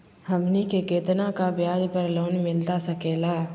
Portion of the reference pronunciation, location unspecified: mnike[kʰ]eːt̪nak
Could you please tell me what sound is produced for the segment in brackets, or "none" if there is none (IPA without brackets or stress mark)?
k